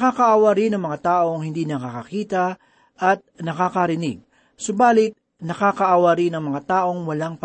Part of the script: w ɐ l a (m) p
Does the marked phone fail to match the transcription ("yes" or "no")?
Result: yes